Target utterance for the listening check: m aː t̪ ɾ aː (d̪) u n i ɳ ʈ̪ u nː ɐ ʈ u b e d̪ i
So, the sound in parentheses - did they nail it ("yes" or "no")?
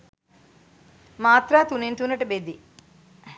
no